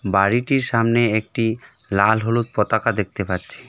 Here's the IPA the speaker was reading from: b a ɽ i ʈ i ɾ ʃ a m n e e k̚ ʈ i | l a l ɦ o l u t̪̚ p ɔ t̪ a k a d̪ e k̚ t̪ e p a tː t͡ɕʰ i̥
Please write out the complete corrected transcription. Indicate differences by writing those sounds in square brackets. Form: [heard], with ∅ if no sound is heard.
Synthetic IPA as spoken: b a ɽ i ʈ i ɾ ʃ a m n e e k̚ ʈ i | l a l ɦ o l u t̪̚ p ɔ t̪ a k a d̪ e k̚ t̪ e p a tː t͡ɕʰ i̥